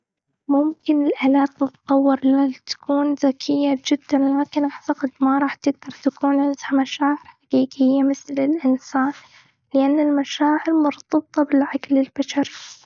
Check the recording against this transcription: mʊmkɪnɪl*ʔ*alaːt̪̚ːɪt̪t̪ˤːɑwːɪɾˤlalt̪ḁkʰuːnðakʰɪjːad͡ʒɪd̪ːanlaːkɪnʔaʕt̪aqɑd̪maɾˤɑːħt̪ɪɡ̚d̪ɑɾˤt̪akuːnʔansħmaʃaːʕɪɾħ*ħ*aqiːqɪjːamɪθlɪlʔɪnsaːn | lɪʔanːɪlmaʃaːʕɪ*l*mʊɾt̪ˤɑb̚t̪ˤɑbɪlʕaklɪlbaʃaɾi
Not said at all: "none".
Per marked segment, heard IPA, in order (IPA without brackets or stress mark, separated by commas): ʔ, ħ, ɾ